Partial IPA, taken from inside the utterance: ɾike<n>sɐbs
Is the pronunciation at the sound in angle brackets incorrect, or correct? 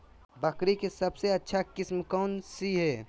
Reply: incorrect